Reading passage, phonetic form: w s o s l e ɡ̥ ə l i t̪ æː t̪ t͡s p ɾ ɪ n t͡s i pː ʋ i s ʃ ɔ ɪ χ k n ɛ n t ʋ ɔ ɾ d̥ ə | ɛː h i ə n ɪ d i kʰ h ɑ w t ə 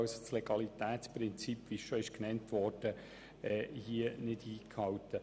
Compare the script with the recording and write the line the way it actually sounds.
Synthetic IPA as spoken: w s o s l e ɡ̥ ɑ l i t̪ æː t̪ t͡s p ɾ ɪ n t͡s i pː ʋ i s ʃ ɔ ɪ ʃ k n ɛ n t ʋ ɔ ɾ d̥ ə | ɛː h i ə n ɪ d iː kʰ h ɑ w t ə

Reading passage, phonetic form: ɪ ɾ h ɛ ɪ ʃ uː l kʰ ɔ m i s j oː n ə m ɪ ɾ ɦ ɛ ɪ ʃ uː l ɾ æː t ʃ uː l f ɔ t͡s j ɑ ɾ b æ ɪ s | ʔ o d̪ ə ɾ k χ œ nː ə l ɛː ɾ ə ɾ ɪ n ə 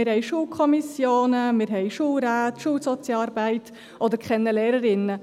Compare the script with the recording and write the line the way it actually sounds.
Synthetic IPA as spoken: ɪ ɾ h ɛ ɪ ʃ uː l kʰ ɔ m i s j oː n ə m ɪ ɾ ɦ ɛ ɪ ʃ uː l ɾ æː t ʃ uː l s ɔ t͡s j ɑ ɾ b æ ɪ t | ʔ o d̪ ə ɾ k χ ɛ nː ə l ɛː ɾ ə ɾ ɪ n ə

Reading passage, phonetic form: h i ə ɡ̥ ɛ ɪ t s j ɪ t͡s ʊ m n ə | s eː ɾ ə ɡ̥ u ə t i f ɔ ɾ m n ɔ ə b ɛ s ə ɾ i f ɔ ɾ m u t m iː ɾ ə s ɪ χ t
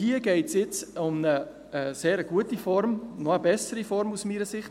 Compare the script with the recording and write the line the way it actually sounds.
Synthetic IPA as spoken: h i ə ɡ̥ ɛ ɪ t s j ɪ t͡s ʊ m n ə | s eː ɾ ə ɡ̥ u ə t i f ɔ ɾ m n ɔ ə b ɛ s ə ɾ i f ɔ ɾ m u s m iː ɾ ə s ɪ χ t

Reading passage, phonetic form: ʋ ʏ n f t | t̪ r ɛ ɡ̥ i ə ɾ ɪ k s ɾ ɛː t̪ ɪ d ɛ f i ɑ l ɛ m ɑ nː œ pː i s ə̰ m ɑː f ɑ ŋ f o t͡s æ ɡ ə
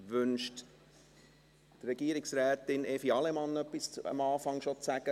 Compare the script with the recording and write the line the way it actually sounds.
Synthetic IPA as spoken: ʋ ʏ n ʃ t | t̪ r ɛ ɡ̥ i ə ɾ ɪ k s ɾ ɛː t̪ ɪ n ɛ f i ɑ l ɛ m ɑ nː œ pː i s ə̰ m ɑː f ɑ ŋ ʃ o t͡s æ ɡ ə

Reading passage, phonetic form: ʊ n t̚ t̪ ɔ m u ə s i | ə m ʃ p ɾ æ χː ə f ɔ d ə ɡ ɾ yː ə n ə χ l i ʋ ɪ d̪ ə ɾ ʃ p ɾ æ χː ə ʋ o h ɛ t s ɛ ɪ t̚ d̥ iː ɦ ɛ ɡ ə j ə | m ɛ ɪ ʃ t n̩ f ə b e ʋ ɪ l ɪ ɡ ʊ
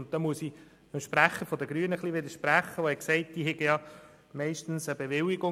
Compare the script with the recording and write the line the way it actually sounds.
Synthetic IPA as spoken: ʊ n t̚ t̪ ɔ m u ə s i | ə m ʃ p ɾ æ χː ə f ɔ d ə ɡ ɾ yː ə n ə χ l i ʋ ɪ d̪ ə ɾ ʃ p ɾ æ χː ə ʋ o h ɛ k s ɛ ɪ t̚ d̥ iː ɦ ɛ ɡ ə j ɑ | m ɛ ɪ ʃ t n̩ s ə b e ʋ ɪ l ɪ ɡ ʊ

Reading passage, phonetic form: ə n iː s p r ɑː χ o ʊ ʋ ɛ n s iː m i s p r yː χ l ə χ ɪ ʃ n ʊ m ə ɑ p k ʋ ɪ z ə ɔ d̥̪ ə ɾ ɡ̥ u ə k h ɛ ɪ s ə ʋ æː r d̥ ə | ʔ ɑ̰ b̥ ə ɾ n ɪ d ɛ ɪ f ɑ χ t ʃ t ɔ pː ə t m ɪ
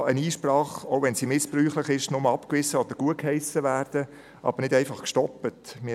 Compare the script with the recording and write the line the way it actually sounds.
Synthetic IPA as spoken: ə n iː ʃ p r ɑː χ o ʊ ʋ ɛ n s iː m ɪ s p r yː χ l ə χ ɪ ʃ n ʊ m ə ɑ p k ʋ ɪ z ə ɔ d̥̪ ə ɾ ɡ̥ u ə k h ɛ ɪ s ə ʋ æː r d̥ ə | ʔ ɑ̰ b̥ ə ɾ n ɪ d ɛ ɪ f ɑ χ k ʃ t ɔ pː ə t m ɪ

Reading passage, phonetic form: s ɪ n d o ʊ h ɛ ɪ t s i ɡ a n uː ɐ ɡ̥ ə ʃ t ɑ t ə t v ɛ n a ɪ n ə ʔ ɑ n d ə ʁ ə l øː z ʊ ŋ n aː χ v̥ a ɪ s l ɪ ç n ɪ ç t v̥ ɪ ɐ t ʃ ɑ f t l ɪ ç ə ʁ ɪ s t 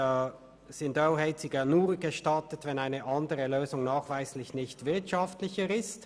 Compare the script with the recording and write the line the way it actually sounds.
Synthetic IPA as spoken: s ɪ n d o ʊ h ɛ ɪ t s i ɡ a n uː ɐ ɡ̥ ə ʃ t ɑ t ə t v ɛ n a ɪ n ə ʔ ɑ n d ə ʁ ə l øː z ʊ ŋ n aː χ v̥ a ɪ s l ɪ ç n ɪ ç t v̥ ɪ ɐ t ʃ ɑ f t l ɪ ç ə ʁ ɪ s t

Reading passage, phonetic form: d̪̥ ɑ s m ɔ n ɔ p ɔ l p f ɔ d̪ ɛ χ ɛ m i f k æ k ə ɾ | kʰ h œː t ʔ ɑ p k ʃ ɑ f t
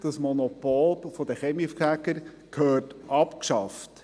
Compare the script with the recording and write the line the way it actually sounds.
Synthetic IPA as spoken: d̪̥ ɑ s m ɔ n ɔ p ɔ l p f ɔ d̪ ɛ χ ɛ m i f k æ k ə ɾ | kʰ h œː t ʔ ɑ p k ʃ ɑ f t

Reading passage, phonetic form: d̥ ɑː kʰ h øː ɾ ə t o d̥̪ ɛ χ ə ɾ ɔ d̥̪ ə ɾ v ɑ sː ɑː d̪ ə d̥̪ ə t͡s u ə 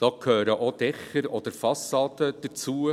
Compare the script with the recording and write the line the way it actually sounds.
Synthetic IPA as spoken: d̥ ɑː kʰ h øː ɾ ə ʔ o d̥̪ ɛ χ ə ɾ ɔ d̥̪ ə ɾ f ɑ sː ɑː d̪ ə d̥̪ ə t͡s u ə

